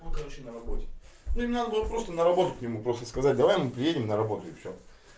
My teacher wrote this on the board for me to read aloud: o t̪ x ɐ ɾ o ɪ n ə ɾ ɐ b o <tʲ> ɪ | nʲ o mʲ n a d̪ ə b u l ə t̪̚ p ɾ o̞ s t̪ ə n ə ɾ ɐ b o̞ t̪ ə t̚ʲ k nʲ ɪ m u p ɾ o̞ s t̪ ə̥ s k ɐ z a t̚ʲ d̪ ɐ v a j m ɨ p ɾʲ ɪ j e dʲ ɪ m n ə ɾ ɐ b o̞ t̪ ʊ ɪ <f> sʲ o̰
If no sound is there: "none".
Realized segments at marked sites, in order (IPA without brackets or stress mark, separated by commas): tʲ, f